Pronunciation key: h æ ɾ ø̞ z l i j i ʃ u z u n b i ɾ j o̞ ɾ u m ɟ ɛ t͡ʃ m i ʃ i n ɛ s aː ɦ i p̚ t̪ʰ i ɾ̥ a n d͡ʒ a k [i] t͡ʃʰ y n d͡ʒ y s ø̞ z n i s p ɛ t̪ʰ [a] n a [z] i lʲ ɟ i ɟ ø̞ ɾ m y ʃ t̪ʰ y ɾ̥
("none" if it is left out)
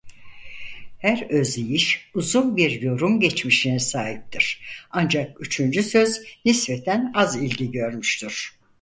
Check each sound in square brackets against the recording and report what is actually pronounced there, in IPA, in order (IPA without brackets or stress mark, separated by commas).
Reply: y, æ, z